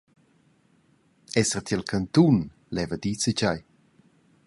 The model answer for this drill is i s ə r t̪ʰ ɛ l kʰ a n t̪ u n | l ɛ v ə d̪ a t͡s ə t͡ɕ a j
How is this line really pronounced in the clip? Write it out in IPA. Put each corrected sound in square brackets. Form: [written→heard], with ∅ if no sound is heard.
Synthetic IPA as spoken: [i→ɛ] s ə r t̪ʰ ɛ l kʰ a n t̪ u n | l ɛ v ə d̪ [a→i] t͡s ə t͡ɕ a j